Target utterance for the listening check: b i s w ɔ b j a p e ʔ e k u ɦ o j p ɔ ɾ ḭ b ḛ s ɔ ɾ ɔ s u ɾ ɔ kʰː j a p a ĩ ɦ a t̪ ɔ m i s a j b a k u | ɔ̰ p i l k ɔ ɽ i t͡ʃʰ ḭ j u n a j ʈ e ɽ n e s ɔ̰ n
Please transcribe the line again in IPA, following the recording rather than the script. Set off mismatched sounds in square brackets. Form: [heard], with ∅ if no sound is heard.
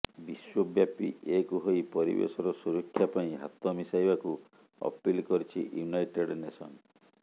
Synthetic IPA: b i s w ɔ b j a p [i] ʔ e k u ɦ o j p ɔ ɾ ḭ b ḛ s ɔ ɾ ɔ s u ɾ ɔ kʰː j a p a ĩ ɦ a t̪ ɔ m i s a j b a k u | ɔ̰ p i l k ɔ [ɾ] i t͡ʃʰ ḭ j u n a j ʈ e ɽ n e s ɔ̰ n